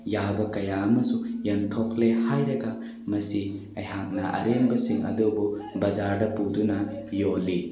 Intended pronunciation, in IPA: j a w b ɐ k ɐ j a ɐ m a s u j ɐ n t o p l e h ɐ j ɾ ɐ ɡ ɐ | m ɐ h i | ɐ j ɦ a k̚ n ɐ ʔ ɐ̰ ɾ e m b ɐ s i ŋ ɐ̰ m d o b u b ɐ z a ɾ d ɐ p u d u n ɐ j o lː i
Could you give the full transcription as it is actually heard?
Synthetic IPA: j a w b ɐ k ɐ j a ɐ m ɐ s u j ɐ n tʰ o k l e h a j ɾ ɐ ɡ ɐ | m ɐ s i | ɐ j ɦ a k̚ n ɐ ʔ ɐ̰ ɾ e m b ɐ s i ŋ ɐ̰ d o b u b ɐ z a ɾ d ɐ p u d u n ɐ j o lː i